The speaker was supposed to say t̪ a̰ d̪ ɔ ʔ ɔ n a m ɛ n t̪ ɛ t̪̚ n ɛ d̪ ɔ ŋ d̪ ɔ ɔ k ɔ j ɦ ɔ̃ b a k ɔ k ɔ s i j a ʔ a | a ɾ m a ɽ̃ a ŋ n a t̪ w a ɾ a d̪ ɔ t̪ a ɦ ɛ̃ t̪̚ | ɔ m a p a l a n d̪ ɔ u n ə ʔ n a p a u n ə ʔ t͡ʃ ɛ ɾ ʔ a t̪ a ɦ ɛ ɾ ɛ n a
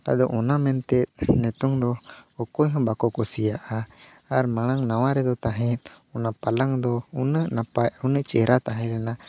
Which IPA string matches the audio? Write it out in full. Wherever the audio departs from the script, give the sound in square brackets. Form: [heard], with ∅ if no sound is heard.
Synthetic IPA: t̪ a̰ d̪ ɔ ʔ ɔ n a m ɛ n t̪ ɛ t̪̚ n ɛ [t̪] ɔ ŋ d̪ ɔ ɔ k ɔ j ɦ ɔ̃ b a k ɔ k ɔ s i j a ʔ a | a ɾ m a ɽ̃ a ŋ n a [∅] w a ɾ [ɛ] d̪ ɔ t̪ a ɦ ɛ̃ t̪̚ | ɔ [n] a p a l a [ŋ] d̪ ɔ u n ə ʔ n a p a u n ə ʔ t͡ʃ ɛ ɾ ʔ a t̪ a ɦ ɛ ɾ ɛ n a